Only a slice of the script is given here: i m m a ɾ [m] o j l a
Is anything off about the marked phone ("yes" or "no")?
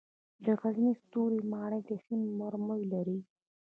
no